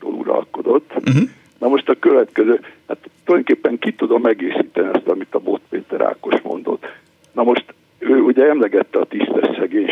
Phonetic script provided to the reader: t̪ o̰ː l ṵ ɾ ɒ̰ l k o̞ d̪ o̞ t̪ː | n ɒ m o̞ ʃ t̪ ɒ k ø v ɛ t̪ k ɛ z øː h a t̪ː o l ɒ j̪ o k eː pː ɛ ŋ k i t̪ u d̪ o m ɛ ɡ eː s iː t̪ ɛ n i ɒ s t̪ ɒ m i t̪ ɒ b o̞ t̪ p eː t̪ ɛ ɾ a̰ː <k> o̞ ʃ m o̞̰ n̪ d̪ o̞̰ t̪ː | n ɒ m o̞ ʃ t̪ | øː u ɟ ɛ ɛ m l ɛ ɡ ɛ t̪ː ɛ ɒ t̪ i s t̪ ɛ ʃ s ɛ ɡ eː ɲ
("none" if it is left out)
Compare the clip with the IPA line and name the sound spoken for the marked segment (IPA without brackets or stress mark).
k